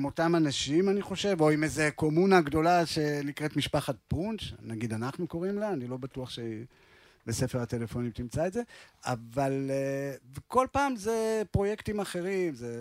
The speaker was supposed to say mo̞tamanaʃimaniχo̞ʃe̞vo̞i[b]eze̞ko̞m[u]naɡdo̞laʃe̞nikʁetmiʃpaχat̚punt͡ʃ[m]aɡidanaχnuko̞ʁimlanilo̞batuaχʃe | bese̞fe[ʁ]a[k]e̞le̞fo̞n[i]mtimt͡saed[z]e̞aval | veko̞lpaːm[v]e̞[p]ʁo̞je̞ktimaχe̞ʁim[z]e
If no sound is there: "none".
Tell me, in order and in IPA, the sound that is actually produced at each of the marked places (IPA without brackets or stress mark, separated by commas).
m, u, n, ʁ, t, i, z, z, p, z